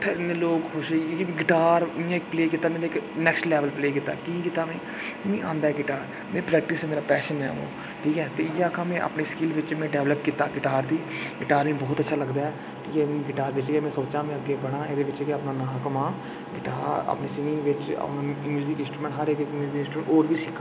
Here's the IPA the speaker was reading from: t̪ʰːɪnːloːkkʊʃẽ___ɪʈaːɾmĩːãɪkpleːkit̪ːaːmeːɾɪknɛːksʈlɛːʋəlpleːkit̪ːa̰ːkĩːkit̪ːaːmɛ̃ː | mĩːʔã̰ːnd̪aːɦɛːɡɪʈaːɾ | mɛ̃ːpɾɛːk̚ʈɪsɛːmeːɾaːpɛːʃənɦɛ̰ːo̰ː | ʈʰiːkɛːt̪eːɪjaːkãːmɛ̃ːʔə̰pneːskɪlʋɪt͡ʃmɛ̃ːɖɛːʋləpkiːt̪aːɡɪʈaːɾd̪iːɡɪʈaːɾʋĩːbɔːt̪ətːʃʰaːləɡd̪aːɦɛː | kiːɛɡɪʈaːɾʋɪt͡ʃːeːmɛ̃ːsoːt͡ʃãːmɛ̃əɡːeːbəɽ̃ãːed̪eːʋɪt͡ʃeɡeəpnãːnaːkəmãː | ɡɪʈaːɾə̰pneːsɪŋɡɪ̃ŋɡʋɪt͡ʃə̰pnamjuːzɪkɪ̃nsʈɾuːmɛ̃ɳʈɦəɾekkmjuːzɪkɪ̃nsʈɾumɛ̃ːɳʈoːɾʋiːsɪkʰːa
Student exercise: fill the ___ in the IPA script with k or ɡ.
ɡ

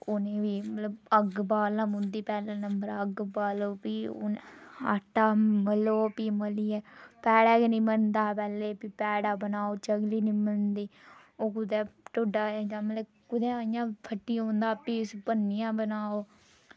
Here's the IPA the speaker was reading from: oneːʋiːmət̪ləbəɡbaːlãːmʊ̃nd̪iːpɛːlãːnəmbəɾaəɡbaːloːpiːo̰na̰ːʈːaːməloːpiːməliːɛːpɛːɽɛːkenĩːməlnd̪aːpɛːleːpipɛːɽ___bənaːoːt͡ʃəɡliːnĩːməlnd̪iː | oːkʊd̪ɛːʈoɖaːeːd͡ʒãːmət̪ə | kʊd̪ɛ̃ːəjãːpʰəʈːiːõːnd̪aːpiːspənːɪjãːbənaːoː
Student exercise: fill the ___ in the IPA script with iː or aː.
aː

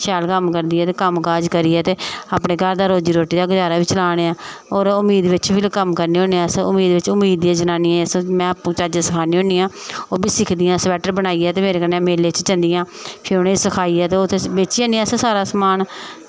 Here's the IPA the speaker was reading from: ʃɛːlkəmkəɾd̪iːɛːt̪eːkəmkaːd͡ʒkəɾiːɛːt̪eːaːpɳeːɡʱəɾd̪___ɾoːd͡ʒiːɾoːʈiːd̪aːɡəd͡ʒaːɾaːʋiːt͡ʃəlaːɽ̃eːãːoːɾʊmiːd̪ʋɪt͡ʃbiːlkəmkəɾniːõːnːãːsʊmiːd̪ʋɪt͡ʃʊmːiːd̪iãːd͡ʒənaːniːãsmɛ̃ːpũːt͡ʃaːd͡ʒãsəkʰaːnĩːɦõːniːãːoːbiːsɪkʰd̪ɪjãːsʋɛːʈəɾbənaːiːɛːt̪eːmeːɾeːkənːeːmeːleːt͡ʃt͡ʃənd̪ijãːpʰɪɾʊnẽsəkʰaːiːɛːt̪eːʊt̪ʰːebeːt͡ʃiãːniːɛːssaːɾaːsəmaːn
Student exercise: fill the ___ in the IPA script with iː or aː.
aː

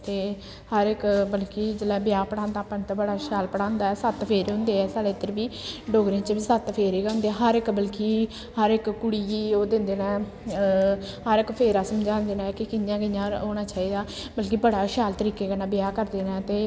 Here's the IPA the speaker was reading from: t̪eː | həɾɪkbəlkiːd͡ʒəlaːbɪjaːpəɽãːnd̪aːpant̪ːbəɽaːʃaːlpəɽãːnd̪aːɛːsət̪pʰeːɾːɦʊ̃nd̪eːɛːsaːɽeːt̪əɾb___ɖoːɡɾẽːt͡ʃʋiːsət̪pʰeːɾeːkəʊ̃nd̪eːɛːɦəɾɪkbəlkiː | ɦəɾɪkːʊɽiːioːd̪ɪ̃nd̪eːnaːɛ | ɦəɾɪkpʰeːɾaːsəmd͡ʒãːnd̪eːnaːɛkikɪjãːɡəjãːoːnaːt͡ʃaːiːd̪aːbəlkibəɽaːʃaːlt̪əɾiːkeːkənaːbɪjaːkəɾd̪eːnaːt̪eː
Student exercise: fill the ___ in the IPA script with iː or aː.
iː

